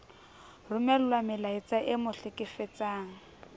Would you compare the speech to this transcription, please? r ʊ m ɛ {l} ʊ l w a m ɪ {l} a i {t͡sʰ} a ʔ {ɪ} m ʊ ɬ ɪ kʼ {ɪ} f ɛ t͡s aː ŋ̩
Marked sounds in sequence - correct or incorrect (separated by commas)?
correct, correct, incorrect, correct, correct